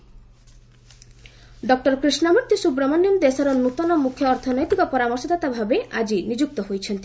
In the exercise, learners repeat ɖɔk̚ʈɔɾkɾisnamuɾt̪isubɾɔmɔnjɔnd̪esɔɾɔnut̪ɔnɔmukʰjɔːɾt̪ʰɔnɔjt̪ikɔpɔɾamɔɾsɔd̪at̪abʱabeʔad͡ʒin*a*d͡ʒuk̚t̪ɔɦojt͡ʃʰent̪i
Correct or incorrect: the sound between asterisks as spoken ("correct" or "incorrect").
incorrect